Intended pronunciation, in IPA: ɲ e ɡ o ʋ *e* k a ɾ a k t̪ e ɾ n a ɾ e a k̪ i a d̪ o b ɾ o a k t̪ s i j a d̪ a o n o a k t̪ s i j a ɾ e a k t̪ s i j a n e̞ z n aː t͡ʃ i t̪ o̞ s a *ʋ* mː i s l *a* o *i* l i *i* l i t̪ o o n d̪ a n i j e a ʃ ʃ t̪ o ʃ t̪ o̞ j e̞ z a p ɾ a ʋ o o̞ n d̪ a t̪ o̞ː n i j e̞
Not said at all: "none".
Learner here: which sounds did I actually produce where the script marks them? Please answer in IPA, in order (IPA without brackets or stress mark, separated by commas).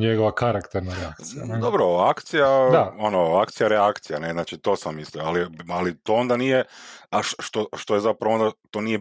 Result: a, none, i, a, a